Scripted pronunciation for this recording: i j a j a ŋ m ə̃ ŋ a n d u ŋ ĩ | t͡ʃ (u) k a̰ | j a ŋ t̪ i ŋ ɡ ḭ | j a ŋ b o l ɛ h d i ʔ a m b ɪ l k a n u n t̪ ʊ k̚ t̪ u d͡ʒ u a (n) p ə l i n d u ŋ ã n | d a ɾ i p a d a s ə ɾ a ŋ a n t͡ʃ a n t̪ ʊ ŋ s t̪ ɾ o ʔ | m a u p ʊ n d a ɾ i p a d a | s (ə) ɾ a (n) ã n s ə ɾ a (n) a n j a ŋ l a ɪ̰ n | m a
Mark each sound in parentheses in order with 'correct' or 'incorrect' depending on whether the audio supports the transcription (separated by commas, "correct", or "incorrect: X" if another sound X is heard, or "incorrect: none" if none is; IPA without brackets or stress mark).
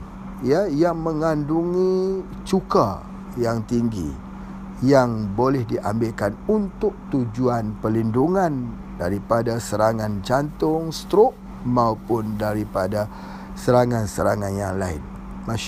correct, correct, correct, incorrect: ŋ, incorrect: ŋ